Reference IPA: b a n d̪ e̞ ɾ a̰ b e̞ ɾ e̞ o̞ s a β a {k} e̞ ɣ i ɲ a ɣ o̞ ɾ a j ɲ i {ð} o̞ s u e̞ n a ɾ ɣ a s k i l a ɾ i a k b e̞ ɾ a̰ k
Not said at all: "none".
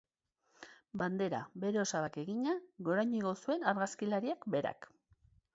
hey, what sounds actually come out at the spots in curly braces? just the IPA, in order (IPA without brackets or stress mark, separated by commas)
k, ɣ